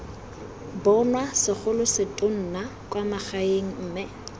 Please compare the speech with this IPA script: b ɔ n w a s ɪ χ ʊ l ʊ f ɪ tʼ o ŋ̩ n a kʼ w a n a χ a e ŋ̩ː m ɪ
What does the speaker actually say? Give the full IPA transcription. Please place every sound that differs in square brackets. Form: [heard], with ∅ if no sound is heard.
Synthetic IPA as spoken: b ɔ n w a s ɪ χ ʊ l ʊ [s] ɪ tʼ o [n̩] n a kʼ w a [m] a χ a e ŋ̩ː m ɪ